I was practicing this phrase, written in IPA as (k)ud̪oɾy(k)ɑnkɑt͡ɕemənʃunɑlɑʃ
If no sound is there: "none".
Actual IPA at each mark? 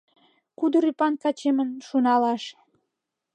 k, p

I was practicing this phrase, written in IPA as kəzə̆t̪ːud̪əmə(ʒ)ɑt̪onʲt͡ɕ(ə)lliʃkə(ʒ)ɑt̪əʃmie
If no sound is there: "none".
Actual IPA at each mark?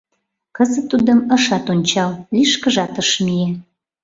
ʃ, ɑ, ʒ

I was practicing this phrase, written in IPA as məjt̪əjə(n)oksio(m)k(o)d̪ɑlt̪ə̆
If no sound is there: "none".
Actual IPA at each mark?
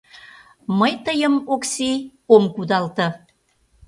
m, m, u

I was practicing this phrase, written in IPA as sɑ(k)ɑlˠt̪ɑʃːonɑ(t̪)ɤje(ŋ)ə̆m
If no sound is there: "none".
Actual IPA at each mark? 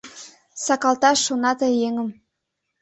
k, t̪, ŋ

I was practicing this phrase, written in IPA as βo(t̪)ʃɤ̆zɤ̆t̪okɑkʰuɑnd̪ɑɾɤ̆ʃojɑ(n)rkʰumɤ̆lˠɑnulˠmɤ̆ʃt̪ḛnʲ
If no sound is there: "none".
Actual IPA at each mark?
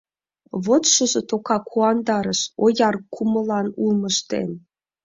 t̪, none

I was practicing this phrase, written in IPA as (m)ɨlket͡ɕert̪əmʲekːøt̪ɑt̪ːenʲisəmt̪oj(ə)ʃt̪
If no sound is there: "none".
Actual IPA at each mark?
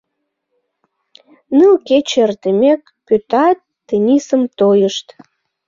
n, ə

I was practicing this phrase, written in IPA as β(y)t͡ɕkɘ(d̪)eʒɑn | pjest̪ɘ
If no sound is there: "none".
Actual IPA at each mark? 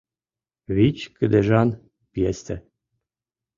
i, d̪

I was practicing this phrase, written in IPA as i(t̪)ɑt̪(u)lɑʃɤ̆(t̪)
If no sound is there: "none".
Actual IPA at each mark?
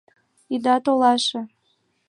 d̪, o, none

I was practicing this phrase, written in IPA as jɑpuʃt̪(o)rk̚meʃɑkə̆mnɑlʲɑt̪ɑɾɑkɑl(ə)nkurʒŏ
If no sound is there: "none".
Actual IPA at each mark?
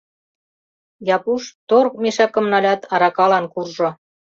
o, ɑ

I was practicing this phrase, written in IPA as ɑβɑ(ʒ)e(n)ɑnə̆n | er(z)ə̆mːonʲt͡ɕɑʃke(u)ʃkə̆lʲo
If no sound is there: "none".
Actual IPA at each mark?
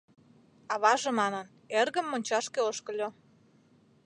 ʒ, m, ɣ, o

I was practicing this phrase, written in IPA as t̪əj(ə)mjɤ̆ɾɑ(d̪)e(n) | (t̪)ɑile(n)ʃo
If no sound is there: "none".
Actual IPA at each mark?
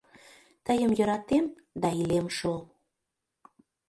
ə, t̪, m, d̪, m

